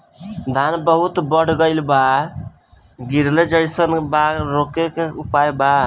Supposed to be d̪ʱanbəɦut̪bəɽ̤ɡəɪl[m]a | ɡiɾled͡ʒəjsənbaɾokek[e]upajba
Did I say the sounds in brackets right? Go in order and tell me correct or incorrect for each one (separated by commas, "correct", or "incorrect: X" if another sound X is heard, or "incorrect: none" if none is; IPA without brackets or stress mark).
incorrect: b, correct